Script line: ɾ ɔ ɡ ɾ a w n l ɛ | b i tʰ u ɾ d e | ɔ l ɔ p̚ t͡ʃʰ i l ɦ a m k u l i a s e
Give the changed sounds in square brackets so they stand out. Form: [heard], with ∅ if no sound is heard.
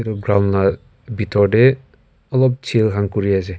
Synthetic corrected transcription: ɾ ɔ ɡ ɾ a w n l [a] | b i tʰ [ɔ] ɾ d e | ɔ l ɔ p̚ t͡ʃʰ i l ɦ a [ŋ] k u [ɾ] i a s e